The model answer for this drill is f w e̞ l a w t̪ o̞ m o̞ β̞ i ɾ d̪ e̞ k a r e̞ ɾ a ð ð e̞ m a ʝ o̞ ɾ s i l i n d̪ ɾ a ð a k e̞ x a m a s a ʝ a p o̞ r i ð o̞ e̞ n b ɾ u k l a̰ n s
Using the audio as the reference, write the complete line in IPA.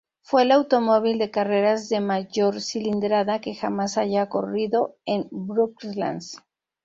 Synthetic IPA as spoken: f w e̞ l a w t̪ o̞ m o̞ β̞ i l d̪ e̞ k a r e̞ ɾ a z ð e̞ m a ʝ o̞ ɾ s i l i n d̪ ɾ a ð a k e̞ x a m a s a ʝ a k o̞ r i ð o̞ e̞ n b ɾ u k l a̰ n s